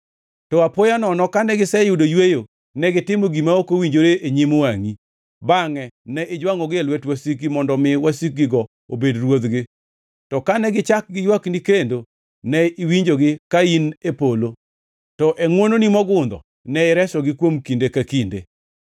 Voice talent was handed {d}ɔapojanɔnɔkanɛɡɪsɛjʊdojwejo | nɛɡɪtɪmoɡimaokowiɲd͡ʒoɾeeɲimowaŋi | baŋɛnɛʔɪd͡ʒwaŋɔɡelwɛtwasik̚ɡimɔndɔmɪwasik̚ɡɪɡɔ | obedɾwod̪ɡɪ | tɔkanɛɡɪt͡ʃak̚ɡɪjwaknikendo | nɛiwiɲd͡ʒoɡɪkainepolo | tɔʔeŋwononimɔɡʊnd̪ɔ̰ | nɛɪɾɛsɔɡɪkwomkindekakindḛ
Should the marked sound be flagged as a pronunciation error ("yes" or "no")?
yes